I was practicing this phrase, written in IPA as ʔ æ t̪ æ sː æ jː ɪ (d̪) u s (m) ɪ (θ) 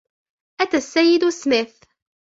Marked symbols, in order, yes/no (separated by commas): yes, yes, yes